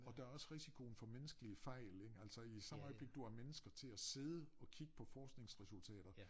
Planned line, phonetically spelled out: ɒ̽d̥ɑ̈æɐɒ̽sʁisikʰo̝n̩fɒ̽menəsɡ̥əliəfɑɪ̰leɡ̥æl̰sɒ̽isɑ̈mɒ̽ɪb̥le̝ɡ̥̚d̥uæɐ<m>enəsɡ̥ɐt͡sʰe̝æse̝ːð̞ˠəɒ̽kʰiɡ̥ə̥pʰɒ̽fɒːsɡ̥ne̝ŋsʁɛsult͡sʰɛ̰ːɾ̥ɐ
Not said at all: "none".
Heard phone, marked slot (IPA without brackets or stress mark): m